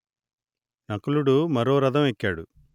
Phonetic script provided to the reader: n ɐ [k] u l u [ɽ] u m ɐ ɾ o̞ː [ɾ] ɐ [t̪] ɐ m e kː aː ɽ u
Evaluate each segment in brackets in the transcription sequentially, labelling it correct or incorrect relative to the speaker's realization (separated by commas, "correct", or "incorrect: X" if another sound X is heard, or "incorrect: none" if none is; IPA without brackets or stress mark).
correct, correct, correct, incorrect: d̪